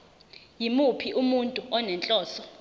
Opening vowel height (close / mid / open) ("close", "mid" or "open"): close